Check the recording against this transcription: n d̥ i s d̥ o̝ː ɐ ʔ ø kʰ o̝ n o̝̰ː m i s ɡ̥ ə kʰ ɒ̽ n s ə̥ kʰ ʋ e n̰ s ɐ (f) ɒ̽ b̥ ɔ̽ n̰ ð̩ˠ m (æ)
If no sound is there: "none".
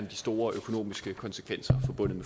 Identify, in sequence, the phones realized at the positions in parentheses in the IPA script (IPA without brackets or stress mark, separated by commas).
f, e